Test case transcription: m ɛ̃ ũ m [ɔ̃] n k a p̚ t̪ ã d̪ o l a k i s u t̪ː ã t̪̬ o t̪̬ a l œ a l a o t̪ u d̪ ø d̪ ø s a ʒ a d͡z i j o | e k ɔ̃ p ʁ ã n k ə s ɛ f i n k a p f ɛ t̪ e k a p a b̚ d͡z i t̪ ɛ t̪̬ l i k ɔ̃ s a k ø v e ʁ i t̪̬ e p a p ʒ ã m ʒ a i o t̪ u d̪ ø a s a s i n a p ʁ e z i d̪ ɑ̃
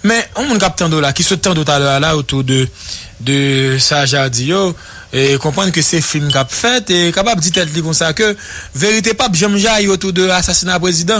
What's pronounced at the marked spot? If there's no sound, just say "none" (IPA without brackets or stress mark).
ũ